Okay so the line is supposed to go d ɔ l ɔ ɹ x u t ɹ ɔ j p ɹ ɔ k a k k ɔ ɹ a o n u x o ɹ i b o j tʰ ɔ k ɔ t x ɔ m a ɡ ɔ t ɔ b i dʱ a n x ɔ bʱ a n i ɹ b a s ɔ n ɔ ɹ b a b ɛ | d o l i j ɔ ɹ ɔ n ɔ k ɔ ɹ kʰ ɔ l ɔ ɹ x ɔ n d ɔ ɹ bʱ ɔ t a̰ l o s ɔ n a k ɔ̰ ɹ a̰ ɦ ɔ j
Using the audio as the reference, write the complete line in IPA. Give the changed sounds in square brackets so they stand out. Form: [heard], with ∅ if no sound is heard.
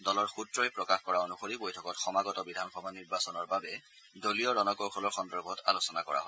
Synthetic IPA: d ɔ l ɔ ɹ x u t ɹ ɔ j p ɹ ɔ k a [x] k ɔ ɹ a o n u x o ɹ i b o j tʰ ɔ k ɔ t x ɔ m a ɡ ɔ t ɔ b i dʱ a n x ɔ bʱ a n i ɹ b a s ɔ n ɔ ɹ b a b ɛ | d o l i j ɔ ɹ ɔ n ɔ k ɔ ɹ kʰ ɔ l ɔ ɹ x ɔ n d ɔ ɹ bʱ ɔ t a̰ l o s ɔ n a k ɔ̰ ɹ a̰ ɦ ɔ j